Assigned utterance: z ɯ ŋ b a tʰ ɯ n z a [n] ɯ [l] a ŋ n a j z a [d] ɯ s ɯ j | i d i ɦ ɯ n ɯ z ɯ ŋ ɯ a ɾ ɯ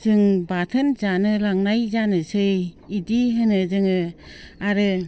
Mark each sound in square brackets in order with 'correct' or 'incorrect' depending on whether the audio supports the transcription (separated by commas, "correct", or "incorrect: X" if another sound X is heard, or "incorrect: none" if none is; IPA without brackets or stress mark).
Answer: correct, correct, incorrect: n